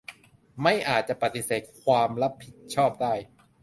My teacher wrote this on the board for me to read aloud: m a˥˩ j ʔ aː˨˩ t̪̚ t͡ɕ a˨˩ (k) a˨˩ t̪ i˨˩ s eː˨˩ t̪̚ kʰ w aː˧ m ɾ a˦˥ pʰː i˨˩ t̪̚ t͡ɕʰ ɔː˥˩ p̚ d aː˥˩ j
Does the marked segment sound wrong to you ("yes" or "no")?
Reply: yes